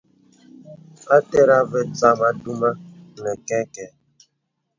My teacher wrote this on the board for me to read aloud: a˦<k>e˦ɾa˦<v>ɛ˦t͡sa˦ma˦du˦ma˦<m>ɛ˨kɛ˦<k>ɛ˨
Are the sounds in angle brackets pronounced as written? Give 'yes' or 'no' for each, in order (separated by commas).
no, yes, no, yes